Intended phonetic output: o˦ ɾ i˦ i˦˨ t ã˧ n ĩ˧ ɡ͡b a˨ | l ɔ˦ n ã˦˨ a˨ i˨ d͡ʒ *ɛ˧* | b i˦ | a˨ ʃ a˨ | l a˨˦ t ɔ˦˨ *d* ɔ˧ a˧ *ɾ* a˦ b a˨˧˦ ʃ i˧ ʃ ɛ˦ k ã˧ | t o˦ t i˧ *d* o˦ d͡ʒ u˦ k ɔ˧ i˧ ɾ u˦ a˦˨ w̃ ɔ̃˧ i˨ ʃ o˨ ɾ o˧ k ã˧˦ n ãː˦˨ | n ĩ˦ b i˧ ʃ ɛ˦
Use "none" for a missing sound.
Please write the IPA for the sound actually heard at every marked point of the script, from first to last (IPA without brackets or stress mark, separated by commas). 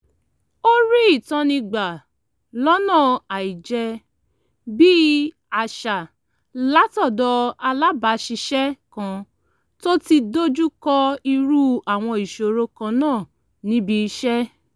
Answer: ɛ˧, d, l, d